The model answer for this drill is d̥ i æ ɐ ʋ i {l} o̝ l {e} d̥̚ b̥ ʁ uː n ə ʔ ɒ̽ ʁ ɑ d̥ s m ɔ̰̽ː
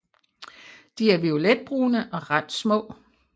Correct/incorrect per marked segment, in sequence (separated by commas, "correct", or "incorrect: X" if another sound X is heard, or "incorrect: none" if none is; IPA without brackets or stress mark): incorrect: none, correct